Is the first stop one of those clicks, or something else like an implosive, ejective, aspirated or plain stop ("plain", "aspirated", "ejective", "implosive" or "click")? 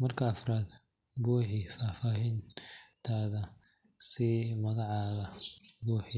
aspirated